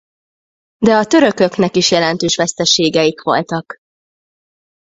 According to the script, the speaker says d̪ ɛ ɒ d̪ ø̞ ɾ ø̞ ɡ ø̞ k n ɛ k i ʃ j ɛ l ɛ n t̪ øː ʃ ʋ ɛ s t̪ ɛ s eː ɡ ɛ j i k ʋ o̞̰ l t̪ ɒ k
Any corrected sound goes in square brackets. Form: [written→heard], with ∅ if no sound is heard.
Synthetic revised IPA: d̪ ɛ ɒ [d̪→t̪] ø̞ ɾ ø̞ [ɡ→k] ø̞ k n ɛ k i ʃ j ɛ l ɛ n t̪ øː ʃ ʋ ɛ s t̪ ɛ [s→ʃ] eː ɡ ɛ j i k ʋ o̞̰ l t̪ ɒ k